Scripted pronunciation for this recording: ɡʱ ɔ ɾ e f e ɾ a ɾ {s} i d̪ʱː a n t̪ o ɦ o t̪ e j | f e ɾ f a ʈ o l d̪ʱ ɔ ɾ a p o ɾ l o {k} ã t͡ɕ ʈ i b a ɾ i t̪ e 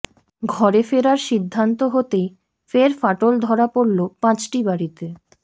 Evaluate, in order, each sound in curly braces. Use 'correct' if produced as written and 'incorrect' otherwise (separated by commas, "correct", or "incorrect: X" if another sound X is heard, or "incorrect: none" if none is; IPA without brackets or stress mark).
incorrect: ʃ, incorrect: p